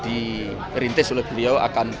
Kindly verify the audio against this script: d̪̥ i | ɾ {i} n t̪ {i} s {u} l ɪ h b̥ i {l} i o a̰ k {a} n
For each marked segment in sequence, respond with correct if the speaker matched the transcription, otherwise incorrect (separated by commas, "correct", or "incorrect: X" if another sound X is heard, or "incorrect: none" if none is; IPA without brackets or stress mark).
correct, incorrect: ɪ, correct, correct, correct